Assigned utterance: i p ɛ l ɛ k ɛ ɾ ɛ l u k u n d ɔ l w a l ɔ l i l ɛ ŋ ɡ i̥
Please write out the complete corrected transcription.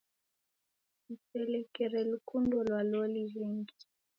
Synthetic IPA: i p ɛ l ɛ k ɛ ɾ ɛ l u k u n d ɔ l w a l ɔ l i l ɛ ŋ ɡ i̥